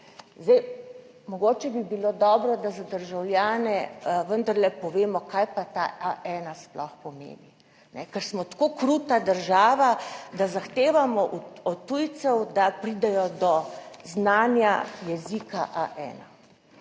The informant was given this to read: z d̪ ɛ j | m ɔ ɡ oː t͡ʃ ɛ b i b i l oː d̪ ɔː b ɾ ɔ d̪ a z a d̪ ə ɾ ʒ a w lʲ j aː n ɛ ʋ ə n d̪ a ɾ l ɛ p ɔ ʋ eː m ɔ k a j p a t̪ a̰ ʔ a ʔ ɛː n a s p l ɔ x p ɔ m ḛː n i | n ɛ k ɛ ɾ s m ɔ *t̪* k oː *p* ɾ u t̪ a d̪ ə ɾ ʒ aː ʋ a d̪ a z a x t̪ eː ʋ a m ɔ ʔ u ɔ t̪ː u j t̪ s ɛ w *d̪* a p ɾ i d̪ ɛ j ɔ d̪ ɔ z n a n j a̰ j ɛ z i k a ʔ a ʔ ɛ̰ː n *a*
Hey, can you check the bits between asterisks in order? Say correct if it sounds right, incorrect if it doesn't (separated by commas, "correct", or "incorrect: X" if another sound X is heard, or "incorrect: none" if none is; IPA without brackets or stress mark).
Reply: correct, incorrect: k, correct, correct